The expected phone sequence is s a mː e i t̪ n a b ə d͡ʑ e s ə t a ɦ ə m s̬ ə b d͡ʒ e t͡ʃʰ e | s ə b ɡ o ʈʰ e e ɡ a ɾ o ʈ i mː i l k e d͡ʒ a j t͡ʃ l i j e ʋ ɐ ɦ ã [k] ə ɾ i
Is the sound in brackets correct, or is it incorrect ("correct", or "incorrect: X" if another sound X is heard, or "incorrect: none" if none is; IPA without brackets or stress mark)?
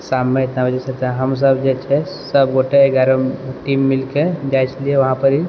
incorrect: p